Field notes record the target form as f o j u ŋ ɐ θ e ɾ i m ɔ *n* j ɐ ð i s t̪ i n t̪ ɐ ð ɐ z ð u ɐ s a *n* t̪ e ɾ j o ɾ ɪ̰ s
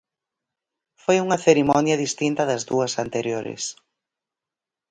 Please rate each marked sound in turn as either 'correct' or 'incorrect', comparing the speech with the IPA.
correct, correct

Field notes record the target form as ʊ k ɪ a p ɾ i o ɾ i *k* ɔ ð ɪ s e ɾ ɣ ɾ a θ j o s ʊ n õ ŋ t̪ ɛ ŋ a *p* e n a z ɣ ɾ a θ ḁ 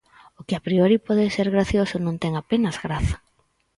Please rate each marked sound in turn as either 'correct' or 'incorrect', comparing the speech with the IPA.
incorrect: p, correct

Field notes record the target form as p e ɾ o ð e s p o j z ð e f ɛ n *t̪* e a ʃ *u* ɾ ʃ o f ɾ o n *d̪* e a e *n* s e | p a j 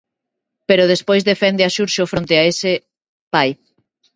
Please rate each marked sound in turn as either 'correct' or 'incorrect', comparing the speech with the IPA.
incorrect: d̪, correct, incorrect: t̪, incorrect: none

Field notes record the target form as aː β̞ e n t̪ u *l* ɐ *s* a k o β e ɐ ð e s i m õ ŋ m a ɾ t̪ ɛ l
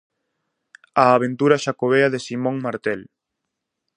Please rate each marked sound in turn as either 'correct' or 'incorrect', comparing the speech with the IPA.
incorrect: ɾ, incorrect: ʃ

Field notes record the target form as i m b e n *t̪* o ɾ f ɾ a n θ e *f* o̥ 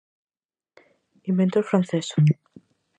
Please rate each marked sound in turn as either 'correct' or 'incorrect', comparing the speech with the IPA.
correct, incorrect: s

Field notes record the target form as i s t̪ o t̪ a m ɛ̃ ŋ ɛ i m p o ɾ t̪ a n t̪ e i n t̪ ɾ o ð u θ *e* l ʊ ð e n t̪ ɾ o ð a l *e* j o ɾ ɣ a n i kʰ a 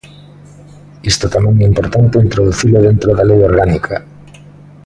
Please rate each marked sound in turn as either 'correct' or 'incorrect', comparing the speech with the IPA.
incorrect: i, correct

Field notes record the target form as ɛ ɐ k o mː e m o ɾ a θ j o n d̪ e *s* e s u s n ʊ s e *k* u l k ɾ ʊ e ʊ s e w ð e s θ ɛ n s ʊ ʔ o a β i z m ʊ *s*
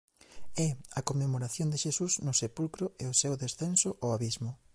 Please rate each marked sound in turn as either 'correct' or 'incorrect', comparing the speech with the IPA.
incorrect: ʃ, incorrect: p, incorrect: none

